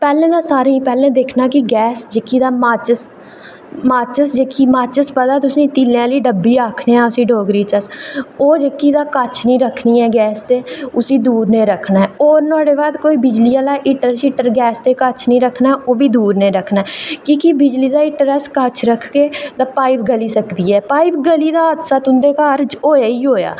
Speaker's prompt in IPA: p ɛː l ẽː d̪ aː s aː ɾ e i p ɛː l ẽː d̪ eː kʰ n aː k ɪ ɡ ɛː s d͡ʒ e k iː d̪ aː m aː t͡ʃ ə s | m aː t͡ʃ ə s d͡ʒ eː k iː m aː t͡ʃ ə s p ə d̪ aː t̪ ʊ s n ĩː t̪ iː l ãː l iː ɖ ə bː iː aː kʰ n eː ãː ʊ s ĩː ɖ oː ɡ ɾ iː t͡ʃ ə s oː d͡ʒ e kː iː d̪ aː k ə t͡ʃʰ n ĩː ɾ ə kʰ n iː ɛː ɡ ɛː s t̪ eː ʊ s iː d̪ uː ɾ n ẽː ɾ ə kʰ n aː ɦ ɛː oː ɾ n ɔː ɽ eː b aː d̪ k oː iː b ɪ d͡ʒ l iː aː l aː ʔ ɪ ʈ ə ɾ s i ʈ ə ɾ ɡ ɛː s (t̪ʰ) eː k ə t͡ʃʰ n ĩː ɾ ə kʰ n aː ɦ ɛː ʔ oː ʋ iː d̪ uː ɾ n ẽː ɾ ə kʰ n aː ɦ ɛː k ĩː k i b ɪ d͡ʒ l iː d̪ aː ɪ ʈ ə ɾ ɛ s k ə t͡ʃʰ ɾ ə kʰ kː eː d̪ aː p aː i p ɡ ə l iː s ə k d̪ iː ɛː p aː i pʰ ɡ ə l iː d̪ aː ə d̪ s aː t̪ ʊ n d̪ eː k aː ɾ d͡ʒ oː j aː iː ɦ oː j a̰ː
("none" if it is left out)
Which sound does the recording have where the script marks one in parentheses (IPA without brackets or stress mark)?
t̪